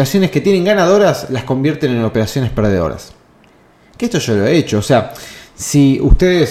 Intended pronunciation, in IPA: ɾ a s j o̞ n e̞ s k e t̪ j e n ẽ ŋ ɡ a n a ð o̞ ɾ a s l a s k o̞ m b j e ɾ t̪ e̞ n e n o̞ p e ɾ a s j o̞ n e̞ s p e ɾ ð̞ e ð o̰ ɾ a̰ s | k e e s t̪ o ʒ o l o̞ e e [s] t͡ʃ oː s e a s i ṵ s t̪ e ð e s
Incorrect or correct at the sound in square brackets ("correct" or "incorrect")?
incorrect